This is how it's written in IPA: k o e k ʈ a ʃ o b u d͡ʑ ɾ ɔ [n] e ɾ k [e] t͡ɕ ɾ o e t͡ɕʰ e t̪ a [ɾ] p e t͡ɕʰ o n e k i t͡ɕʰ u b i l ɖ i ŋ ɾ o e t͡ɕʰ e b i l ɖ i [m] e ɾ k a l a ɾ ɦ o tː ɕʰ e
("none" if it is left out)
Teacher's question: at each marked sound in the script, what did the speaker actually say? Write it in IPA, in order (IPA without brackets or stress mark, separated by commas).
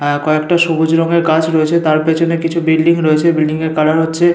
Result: ŋ, a, ɾ, ŋ